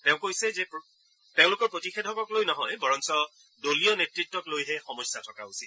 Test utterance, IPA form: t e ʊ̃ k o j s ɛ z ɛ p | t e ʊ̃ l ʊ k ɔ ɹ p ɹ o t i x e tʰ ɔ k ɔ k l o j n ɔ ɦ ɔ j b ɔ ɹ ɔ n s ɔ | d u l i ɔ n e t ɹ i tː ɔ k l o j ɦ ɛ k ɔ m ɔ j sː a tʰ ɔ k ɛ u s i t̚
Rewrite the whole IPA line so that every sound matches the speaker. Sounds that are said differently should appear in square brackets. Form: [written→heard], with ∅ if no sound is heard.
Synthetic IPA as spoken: t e ʊ̃ k o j s ɛ z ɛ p | t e ʊ̃ l ʊ k ɔ ɹ p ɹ o t i x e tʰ ɔ k ɔ k l o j n ɔ ɦ ɔ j b ɔ ɹ ɔ n s ɔ | d [u→o] l i ɔ n e t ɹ i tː ɔ k l o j ɦ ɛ [k→x] ɔ m ɔ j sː a tʰ ɔ k [ɛ→a] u s i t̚